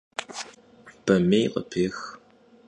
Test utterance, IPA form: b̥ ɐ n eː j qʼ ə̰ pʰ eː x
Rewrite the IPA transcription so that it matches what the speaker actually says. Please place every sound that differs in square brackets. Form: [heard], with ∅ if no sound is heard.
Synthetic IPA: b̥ ɐ [m] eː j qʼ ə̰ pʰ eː x